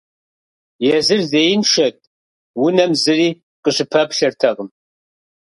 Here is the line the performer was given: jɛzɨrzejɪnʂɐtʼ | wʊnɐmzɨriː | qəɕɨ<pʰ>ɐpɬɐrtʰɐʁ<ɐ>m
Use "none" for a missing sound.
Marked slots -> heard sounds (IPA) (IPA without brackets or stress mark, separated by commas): pʰ, ə